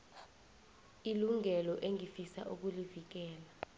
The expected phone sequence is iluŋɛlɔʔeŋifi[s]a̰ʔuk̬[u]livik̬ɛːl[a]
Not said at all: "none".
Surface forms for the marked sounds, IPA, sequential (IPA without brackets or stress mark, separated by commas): s, u, a